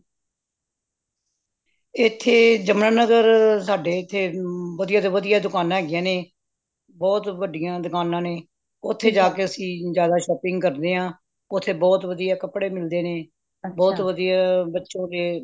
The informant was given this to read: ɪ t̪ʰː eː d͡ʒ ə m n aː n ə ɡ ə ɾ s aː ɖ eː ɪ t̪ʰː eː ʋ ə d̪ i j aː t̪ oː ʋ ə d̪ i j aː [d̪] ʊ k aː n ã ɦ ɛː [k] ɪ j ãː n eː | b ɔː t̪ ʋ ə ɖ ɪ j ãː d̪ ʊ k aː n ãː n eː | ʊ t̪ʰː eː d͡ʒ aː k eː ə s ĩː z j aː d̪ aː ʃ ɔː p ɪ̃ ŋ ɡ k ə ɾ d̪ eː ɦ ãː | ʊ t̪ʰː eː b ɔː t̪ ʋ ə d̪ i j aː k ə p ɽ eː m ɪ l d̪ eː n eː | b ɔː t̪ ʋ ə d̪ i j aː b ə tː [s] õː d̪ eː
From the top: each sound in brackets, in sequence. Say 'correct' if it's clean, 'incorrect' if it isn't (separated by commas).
correct, incorrect, incorrect